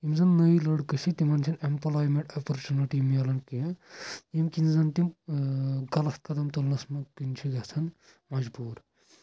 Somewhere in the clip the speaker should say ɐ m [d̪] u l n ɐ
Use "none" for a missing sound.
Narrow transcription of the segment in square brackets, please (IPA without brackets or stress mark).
t̪